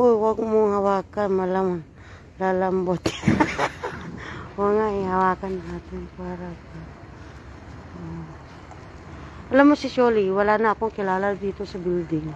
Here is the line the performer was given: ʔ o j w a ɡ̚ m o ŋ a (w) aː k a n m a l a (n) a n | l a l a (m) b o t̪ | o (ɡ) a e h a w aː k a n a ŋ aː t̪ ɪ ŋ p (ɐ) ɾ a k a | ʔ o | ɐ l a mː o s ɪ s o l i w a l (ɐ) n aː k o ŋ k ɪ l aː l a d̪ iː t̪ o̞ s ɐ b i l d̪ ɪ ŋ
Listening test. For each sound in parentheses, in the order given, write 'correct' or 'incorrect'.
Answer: correct, incorrect: m, correct, incorrect: ŋ, incorrect: a, incorrect: a

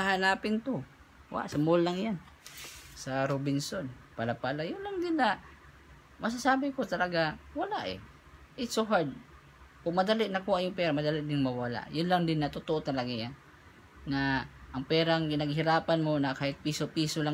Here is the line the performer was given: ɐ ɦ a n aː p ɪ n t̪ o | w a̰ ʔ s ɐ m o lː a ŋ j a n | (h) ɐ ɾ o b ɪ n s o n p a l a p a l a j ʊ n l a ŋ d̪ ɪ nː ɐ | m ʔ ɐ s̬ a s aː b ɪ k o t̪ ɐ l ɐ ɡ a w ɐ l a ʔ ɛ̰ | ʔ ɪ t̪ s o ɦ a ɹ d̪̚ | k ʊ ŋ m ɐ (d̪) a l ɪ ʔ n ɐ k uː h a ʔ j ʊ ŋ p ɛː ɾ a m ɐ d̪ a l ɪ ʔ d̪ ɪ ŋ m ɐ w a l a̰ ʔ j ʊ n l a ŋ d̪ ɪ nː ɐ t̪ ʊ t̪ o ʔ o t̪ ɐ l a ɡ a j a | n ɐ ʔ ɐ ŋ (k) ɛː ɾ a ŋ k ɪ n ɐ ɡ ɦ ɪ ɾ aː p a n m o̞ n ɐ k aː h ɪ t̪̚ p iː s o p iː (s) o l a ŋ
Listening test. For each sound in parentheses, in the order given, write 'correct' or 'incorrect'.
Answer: incorrect: s, correct, incorrect: p, correct

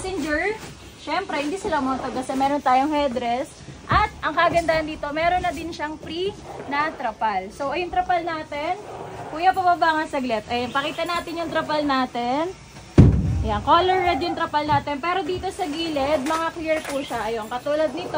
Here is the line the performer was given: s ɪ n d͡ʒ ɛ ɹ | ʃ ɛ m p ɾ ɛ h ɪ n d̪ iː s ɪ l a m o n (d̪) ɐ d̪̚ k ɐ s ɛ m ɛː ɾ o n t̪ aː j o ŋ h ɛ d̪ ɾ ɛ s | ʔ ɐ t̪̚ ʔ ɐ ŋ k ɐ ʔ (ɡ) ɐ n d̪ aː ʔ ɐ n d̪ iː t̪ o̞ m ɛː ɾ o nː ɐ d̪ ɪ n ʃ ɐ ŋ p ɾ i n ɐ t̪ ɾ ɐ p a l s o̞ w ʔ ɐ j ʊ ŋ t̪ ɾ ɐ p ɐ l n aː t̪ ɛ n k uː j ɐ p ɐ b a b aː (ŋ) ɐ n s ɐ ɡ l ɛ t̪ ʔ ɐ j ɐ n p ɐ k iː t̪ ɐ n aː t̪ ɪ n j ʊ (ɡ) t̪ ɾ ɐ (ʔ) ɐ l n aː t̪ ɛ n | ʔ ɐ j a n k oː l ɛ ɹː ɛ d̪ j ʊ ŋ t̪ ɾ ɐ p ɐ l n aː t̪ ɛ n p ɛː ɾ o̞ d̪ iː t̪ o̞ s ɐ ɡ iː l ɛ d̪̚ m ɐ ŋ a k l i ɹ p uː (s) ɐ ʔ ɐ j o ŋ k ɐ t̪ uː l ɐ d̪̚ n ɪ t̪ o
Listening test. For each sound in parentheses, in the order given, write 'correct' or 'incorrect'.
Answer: incorrect: t̪, correct, correct, incorrect: ŋ, incorrect: p, incorrect: ʃ

